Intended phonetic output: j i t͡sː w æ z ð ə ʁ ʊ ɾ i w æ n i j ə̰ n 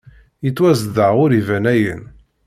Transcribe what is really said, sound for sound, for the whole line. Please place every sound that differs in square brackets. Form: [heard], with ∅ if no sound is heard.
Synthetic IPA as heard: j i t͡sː w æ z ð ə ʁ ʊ ɾ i [v] æ n [æ] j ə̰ n